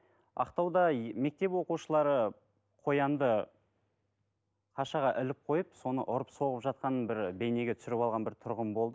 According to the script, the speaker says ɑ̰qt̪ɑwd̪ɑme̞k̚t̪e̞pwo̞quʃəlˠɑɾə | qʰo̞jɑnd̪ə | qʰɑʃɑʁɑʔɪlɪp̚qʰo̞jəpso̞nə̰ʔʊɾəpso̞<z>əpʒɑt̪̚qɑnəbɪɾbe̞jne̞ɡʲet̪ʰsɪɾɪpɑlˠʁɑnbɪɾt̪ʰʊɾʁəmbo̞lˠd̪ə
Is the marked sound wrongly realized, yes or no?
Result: yes